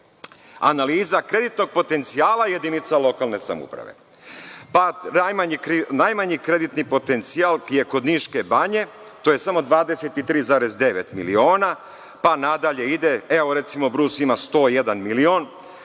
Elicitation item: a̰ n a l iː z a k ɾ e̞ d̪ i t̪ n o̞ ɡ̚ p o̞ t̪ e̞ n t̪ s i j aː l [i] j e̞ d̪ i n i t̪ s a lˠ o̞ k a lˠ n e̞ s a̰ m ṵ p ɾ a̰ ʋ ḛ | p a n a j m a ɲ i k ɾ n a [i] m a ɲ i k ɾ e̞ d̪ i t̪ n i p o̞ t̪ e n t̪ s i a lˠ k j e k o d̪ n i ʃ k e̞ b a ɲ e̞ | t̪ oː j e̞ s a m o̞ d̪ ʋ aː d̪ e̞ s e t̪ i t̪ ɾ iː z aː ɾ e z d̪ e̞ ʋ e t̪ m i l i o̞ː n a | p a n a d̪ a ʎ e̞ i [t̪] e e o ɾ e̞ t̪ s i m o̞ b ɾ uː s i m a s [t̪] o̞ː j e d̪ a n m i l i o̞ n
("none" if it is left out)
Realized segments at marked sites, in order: a, j, d̪, t̪

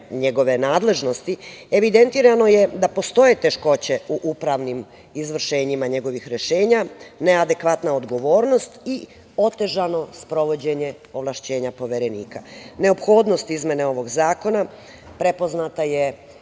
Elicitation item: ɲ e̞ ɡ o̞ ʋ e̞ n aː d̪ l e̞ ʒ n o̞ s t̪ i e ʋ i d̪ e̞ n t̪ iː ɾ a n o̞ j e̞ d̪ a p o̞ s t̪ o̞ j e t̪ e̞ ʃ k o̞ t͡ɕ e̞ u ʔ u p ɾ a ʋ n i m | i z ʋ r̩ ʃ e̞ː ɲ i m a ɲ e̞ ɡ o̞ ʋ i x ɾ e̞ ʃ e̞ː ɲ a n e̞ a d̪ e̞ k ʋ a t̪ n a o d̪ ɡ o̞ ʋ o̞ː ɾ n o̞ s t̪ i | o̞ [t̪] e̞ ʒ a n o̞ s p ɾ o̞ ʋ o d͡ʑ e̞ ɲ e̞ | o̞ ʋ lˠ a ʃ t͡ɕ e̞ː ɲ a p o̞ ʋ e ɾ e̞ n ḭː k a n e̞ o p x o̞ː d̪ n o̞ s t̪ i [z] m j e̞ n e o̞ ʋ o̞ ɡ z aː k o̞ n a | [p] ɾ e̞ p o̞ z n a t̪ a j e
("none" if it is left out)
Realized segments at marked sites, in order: t̪, z, p

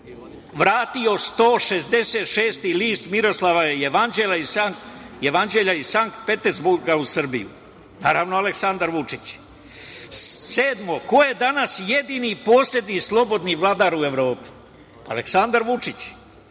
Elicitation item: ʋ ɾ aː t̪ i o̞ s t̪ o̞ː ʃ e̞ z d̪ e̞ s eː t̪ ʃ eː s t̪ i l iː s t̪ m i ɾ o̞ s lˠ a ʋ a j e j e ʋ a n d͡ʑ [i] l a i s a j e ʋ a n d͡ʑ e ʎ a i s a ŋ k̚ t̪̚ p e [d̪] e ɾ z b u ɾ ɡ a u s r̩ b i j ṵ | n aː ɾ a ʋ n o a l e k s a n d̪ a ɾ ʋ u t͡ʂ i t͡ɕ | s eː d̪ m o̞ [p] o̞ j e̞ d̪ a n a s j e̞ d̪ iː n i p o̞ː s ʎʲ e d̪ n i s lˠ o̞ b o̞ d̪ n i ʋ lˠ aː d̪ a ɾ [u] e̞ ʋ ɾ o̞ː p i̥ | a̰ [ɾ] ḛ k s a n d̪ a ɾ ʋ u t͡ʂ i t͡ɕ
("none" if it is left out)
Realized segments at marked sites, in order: e, t̪, k, u, l

